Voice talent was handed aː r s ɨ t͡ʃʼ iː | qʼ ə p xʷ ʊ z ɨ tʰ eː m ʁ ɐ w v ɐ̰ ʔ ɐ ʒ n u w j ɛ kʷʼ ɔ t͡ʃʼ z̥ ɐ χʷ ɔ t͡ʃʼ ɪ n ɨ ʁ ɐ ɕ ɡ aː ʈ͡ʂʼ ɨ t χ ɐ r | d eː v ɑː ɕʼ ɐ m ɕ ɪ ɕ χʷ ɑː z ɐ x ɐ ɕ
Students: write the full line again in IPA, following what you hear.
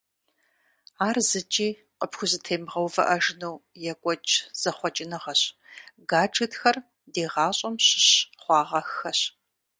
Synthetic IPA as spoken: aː r z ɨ t͡ʃʼ iː | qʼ ə p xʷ ʊ z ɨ tʰ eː m ʁ ɐ w v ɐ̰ ʔ ɐ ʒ n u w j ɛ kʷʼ ɔ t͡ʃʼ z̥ ɐ χʷ ɔ t͡ʃʼ ɪ n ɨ ʁ ɐ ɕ ɡ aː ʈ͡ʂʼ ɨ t x ɐ r | d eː ʁ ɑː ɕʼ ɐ m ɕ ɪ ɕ χʷ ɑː ʁ ɐ x ɐ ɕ